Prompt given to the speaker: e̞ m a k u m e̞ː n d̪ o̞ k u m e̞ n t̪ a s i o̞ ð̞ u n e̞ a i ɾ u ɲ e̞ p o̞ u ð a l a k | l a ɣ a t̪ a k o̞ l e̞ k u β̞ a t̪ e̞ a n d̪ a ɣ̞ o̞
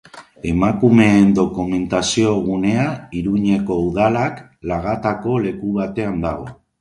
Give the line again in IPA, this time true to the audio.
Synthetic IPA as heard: e̞ m a k u m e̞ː n d̪ o̞ k u m e̞ n t̪ a s i o̞ ɣ̞ u n e̞ a i ɾ u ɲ e̞ k o̞ u ð a l a k | l a ɣ a t̪ a k o̞ l e̞ k u β̞ a t̪ e̞ a n d̪ a ɣ̞ o̞